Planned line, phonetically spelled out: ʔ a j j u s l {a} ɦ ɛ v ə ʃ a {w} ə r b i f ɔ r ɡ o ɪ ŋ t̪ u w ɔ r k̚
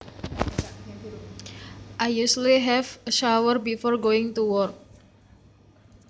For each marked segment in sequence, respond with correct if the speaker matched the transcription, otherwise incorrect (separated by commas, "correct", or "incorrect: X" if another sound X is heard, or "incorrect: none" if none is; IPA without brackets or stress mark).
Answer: incorrect: i, correct